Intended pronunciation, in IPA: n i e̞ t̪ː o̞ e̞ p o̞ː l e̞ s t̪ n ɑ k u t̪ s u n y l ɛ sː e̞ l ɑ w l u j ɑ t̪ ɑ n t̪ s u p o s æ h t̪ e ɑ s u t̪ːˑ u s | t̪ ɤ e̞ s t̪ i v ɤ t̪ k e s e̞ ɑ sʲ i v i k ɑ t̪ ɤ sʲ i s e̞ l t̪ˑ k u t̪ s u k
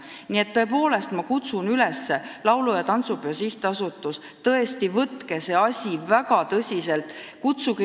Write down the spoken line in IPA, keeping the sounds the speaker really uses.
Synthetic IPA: n i e̞ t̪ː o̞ e̞ p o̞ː l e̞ s t̪ m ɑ k u t̪ s u n y l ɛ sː e̞ l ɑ w l u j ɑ t̪ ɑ n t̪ s u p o s i h t̪ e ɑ s u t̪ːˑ u s | t̪ ɤ e̞ s t̪ i v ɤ t̪ k e s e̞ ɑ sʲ i v æ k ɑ t̪ ɤ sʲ i s e̞ l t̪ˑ k u t̪ s u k

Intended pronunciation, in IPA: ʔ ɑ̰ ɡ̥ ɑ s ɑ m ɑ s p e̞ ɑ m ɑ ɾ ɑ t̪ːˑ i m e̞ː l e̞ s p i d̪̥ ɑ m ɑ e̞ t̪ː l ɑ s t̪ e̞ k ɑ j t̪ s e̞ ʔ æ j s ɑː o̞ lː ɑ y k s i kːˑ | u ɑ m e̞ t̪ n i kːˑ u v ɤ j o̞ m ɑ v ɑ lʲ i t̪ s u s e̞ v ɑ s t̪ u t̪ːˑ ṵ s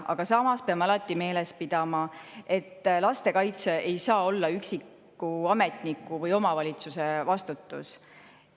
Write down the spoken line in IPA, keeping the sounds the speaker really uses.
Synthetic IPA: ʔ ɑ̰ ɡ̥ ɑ s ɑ m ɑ s p e̞ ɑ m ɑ l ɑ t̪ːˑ i m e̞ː l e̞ s p i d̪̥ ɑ m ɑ e̞ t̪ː l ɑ s t̪ e̞ k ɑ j t̪ s e̞ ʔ e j s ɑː o̞ lː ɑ y k s i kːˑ | u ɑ m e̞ t̪ n i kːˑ u v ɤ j o̞ m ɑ v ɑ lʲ i t̪ s u s e̞ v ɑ s t̪ u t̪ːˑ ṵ s

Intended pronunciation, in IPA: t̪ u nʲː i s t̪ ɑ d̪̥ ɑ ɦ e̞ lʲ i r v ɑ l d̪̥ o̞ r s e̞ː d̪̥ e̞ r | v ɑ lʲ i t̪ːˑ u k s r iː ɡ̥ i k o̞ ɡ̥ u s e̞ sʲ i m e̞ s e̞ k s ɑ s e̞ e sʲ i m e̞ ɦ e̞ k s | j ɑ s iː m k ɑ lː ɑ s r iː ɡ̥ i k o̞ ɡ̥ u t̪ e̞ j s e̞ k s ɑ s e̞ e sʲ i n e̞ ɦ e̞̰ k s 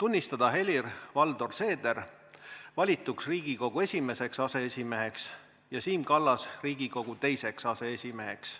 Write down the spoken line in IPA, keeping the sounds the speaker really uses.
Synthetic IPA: t̪ u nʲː i s t̪ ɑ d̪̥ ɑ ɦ e̞ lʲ i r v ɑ l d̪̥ o̞ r s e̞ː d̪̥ e̞ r | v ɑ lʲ i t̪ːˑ u k s r iː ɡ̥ i k o̞ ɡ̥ u e̞ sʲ i m e̞ s e̞ k s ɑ s e̞ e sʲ i m e̞ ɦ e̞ k s | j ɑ s iː m k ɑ lː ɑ s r iː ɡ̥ i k o̞ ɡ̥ u t̪ e̞ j s e̞ k s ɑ s e̞ e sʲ i m e̞ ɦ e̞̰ k s

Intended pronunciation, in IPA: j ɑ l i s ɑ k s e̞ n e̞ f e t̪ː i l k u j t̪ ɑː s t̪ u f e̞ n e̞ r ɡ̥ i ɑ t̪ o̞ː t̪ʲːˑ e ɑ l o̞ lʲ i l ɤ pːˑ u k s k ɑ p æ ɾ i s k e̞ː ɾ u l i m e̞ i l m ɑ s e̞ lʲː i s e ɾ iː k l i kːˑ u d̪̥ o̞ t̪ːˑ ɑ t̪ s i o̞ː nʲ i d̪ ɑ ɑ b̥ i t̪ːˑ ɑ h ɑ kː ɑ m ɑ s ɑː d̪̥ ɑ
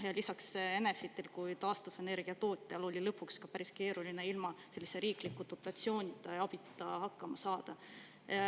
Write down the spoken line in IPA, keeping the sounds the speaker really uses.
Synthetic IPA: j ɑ l i s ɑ k s e̞ n e̞ f i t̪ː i l k u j t̪ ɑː s t̪ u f e̞ n e̞ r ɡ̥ i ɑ t̪ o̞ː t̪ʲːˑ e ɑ l o̞ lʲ i l ɤ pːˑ u k s k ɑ p æ ɾ i s k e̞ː ɾ u l i n e̞ i l m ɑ s e̞ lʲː i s e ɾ iː k l i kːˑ u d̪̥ o̞ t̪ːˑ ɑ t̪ s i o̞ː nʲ i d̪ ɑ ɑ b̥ i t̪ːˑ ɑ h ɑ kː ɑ m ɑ s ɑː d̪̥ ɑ

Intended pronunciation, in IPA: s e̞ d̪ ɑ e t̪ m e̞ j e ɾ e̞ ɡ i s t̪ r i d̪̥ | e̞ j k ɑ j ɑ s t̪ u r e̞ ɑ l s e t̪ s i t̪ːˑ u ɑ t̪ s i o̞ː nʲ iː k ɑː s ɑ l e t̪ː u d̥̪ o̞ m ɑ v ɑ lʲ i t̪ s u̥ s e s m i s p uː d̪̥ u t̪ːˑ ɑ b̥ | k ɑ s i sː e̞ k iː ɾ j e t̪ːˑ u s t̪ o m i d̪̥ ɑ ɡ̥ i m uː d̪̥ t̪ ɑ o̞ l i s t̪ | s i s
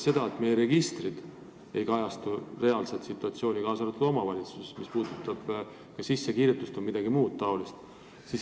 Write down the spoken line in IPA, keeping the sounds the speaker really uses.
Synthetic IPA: s e̞ d̪ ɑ e t̪ m e̞ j e ɾ e̞ ɡ i s t̪ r i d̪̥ | e̞ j k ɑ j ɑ s t̪ u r e̞ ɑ l s e t̪ s i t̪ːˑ u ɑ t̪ s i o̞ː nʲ i k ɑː s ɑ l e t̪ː u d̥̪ o̞ m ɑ v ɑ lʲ i t̪ s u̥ s e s m i s p uː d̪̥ u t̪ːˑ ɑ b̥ | k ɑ s i sː e̞ k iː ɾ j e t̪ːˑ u s t̪ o m i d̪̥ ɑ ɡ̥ i m uː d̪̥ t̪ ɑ o̞ l i s t̪ | s i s

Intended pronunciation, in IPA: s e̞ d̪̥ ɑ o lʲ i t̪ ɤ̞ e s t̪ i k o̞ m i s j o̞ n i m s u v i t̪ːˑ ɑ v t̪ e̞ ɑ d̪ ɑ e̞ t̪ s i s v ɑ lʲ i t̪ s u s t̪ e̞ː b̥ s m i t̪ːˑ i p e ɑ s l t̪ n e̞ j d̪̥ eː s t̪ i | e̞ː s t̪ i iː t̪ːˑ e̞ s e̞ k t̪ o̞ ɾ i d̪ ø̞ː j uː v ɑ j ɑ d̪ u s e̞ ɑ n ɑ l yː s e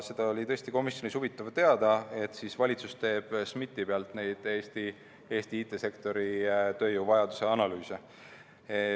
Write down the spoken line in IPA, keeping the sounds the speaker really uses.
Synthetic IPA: s e̞ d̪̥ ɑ o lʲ i t̪ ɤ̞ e s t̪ i k o̞ m i s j o̞ n i s u v i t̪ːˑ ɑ v t̪ e̞ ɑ d̪ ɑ e̞ t̪ s i s v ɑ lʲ i t̪ s u s t̪ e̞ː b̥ s m i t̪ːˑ i p e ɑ l t̪ n e̞ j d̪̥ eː s t̪ i | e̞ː s t̪ i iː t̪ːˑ e̞ s e̞ k t̪ o̞ ɾ i t̪ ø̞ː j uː v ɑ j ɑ d̪ u s e̞ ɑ n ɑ l yː s e

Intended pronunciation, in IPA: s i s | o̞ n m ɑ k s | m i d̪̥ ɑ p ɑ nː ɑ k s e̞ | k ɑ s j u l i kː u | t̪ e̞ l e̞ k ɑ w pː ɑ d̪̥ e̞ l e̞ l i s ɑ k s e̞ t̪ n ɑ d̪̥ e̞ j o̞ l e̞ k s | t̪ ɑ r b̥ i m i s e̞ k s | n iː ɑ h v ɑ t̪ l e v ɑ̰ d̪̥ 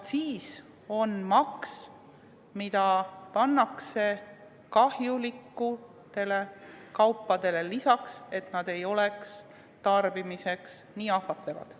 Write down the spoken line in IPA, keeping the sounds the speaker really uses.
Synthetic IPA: s iː s | o̞ n m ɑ k s | m i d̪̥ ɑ p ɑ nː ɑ k s e̞ | k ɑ h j u l i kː u | t̪ e̞ l e̞ k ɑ w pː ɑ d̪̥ e̞ l e̞ l i s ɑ k s e̞ t̪ n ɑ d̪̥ e̞ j o̞ l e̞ k s | t̪ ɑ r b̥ i m i s e̞ k s | n iː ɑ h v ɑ t̪ l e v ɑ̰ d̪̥

